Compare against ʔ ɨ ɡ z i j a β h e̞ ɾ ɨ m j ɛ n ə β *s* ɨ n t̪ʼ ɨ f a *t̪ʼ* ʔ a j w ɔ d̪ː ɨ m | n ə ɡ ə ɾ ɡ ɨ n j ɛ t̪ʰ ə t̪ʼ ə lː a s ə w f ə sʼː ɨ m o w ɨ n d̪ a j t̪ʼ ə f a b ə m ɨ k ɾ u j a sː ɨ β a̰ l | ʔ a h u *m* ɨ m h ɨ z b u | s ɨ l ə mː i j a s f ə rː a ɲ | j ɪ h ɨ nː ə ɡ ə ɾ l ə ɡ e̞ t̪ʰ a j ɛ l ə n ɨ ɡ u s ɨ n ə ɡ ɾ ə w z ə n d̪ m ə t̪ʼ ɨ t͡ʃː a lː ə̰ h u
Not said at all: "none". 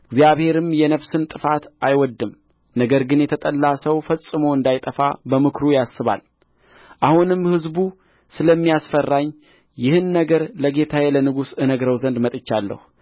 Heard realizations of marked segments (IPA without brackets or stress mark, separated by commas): s, t̪, n